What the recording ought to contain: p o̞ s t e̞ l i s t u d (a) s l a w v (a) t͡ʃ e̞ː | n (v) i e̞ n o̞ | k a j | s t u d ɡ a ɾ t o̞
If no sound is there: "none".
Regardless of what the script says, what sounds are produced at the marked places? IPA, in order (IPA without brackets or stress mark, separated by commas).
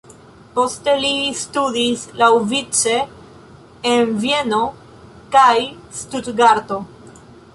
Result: i, i, v